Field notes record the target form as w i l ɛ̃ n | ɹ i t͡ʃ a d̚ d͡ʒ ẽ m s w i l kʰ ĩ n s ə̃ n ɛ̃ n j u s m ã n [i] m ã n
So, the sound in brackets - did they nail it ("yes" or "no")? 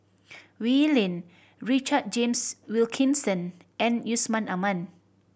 no